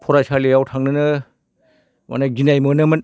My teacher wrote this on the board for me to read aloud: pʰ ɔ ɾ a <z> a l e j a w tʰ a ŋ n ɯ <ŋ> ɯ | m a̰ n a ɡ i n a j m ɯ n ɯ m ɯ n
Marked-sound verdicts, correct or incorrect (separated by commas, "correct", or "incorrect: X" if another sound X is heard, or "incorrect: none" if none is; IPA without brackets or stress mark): incorrect: s, incorrect: n